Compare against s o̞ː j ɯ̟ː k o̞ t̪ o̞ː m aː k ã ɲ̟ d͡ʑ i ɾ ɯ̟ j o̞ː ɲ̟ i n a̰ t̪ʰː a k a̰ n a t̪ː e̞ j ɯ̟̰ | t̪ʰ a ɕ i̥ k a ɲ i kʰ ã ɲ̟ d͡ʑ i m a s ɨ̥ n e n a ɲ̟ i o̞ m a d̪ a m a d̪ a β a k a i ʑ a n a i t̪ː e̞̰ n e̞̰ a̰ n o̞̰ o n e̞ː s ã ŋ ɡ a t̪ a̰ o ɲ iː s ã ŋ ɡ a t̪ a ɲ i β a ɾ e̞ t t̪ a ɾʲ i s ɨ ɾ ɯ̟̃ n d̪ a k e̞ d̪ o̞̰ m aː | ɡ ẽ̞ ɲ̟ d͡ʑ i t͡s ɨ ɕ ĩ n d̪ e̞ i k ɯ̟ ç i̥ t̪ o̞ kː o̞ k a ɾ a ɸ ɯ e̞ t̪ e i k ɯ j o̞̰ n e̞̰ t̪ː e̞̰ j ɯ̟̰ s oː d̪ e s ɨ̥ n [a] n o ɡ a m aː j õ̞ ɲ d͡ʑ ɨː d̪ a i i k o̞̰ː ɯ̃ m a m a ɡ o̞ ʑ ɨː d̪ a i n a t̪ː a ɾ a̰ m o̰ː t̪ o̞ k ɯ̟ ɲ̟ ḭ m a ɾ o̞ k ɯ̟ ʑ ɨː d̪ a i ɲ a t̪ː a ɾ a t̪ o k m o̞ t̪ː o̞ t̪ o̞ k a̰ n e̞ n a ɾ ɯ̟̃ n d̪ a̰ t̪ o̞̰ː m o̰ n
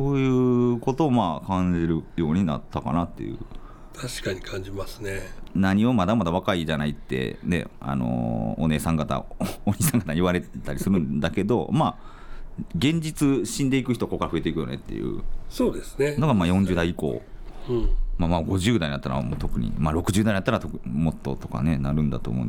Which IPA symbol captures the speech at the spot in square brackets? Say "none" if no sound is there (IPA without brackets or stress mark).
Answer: e